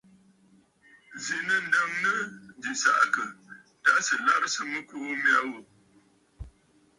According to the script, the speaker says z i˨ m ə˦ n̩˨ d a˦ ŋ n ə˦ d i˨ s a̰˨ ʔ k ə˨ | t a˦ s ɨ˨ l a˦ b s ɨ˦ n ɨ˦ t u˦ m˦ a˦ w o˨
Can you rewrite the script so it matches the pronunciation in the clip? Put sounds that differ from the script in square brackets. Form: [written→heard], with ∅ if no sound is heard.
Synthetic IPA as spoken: z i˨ [m→n] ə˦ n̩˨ d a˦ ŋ n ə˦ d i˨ s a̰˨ ʔ k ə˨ | t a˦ s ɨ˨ l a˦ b s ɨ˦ [n→m] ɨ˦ [t→k] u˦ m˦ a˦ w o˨

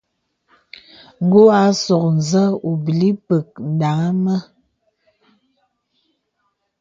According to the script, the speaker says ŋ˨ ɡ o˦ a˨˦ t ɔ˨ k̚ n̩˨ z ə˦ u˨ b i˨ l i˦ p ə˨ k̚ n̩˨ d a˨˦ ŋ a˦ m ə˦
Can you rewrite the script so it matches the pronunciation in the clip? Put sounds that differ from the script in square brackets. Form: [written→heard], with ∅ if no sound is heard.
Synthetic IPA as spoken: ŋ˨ ɡ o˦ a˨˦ [t→s] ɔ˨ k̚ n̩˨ z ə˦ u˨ b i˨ l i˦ p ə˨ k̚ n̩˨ d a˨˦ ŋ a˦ m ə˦

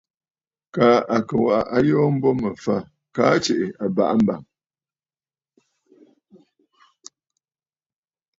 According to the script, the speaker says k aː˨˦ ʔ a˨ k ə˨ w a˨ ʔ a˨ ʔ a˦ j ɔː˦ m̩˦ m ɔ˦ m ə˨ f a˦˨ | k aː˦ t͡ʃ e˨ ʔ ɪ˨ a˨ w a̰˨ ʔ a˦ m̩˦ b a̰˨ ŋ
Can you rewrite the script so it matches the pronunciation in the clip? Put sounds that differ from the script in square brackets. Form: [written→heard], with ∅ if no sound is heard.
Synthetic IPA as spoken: k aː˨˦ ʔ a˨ k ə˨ w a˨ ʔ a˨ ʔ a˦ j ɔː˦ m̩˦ [m→b] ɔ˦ m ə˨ f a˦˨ | k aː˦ t͡ʃ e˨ ʔ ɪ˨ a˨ [w→b] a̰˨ ʔ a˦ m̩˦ b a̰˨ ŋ

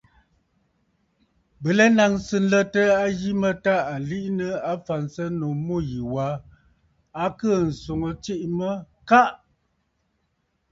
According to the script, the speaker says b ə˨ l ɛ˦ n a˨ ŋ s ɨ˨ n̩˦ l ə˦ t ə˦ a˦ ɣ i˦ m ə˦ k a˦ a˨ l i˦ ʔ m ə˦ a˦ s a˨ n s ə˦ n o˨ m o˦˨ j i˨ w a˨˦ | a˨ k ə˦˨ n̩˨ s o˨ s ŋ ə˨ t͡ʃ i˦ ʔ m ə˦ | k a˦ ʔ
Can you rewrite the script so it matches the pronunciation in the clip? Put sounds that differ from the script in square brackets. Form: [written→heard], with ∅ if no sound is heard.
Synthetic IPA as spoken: b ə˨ l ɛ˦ n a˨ ŋ s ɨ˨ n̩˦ l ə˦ t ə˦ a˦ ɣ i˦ m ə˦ [k→t] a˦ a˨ l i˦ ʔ [m→n] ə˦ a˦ [s→f] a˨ n s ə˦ n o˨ m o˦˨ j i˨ w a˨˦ | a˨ k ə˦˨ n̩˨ s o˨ [s→∅] ŋ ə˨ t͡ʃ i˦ ʔ m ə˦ | k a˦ ʔ

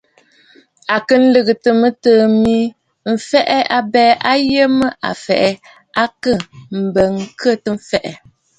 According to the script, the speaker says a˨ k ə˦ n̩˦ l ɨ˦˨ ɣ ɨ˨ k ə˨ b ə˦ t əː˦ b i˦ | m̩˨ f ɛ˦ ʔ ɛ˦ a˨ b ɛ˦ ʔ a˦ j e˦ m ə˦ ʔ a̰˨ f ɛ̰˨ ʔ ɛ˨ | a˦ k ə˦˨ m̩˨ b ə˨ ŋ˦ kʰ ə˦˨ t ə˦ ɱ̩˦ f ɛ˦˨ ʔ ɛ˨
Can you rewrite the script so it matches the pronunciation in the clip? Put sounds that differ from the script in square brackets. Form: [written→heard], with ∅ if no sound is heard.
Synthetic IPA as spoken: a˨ k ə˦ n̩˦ l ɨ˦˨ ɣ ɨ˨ [k→t] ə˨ [b→m] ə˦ t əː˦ [b→m] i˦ | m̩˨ f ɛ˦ ʔ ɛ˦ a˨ b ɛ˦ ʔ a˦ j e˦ m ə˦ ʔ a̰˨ f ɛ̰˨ ʔ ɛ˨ | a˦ k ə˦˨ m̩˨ b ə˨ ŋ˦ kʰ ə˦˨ t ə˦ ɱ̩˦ f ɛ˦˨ ʔ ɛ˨

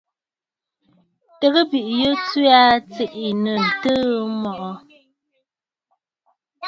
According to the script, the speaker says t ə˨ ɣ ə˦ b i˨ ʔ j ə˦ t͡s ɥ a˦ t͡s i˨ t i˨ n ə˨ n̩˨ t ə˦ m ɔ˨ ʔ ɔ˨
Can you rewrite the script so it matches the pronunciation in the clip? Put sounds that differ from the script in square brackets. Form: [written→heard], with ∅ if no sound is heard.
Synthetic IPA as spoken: t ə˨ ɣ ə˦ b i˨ ʔ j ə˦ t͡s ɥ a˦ t͡s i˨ [t→ʔ] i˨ n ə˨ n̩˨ t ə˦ m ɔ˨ ʔ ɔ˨

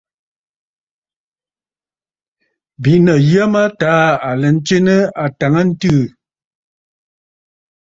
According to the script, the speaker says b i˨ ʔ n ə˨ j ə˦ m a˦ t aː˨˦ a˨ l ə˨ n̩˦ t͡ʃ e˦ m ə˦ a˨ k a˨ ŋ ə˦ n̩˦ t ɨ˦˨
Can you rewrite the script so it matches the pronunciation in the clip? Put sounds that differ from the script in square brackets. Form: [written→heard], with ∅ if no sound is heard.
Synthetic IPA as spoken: b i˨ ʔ n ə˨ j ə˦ m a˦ t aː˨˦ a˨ l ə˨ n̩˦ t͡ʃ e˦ [m→n] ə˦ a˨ [k→t] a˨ ŋ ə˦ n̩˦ t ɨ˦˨

